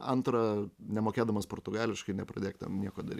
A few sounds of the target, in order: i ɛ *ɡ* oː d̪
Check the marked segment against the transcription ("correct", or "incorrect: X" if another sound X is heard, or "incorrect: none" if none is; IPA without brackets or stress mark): incorrect: k